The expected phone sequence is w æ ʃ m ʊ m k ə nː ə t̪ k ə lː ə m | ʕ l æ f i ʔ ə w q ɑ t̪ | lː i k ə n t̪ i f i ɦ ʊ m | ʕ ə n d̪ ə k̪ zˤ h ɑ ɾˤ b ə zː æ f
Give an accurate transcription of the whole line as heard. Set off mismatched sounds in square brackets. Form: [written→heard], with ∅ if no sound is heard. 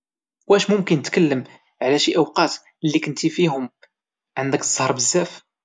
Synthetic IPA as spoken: w æ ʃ m ʊ m k ə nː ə t̪ k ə lː ə m | ʕ l æ [f→ʃ] i ʔ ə w q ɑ t̪ | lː i k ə n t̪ i f i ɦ ʊ m | ʕ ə n d̪ ə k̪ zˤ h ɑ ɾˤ b ə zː æ f